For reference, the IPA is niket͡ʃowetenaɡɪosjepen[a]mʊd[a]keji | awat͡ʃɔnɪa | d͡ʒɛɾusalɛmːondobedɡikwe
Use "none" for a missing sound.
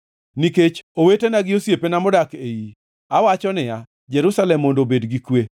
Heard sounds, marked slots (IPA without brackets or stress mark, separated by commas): a, a